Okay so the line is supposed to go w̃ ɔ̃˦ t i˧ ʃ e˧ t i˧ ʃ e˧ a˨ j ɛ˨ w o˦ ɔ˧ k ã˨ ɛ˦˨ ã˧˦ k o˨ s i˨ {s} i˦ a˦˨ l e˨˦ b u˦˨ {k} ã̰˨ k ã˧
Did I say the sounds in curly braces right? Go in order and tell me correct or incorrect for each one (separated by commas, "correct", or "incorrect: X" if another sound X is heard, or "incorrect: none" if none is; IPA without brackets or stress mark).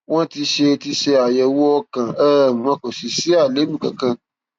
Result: correct, correct